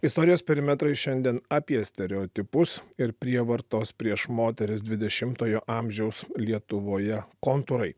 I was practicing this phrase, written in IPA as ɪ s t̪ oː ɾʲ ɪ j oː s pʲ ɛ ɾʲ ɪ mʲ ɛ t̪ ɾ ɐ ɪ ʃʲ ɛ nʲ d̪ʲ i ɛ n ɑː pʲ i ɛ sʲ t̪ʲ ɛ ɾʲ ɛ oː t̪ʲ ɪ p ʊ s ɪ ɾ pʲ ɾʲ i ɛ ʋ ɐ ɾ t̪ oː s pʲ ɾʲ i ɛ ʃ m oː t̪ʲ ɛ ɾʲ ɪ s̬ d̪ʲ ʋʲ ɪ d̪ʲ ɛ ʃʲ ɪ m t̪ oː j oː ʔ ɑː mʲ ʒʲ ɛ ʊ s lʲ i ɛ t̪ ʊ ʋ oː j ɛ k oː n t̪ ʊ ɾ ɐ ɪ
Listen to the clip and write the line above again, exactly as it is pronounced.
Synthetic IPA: ɪ s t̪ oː ɾʲ ɪ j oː s pʲ ɛ ɾʲ ɪ mʲ ɛ t̪ ɾ ɐ ɪ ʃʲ ɛ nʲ d̪ʲ i ɛ n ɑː pʲ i ɛ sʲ t̪ʲ ɛ ɾʲ ɛ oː t̪ʲ ɪ p ʊ s ɪ ɾ pʲ ɾʲ i ɛ ʋ ɐ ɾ t̪ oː s pʲ ɾʲ i ɛ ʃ m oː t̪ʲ ɛ ɾʲ ɪ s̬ d̪ʲ ʋʲ ɪ d̪ʲ ɛ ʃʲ ɪ m t̪ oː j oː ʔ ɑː mʲ ʒʲ ɛ ʊ s lʲ i ɛ t̪ ʊ ʋ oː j ɛ k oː n t̪ ʊ ɾ ɐ ɪ